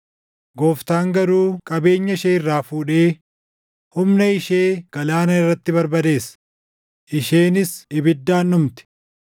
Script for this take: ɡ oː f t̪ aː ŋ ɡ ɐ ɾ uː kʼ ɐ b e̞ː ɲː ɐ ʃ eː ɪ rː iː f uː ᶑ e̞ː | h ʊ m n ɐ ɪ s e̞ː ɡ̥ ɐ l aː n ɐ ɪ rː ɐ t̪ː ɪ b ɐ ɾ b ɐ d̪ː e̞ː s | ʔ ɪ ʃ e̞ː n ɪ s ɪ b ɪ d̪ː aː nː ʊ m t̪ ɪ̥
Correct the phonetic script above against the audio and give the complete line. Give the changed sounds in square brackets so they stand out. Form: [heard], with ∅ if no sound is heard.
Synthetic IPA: ɡ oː f t̪ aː ŋ ɡ ɐ ɾ uː kʼ ɐ b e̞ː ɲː ɐ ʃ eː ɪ rː [aː] f uː ᶑ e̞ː | h ʊ m n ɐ ɪ [ʃ] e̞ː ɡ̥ ɐ l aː n ɐ ɪ rː ɐ t̪ː ɪ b ɐ ɾ b ɐ [d̪] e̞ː s | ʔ ɪ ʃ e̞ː n ɪ s ɪ b ɪ d̪ː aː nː ʊ m t̪ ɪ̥